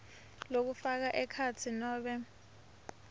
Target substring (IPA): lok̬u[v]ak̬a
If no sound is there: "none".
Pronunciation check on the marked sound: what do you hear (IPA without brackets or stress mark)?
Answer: f